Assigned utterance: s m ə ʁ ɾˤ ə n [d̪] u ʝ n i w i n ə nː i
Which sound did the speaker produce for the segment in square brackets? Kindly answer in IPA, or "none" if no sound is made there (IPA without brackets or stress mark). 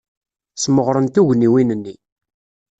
t̪